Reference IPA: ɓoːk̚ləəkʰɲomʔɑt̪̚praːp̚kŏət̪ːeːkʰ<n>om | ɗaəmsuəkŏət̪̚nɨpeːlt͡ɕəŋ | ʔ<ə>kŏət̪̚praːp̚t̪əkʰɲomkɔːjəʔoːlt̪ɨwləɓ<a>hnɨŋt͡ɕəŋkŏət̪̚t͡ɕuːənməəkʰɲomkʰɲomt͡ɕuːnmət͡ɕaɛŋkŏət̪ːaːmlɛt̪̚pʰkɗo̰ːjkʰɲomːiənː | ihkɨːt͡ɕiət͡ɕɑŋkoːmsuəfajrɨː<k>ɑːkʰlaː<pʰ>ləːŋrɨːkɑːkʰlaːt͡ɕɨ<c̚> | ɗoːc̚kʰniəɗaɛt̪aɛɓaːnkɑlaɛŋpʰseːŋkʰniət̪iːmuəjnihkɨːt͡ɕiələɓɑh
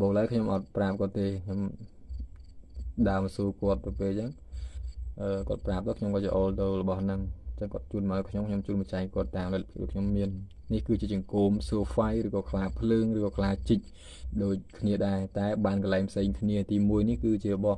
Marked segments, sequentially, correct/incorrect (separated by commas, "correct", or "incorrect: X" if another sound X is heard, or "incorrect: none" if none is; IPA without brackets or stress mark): incorrect: ɲ, incorrect: əː, incorrect: ɑ, correct, correct, correct